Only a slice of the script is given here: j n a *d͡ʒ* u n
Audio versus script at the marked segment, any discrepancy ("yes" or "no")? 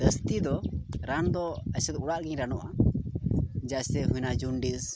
no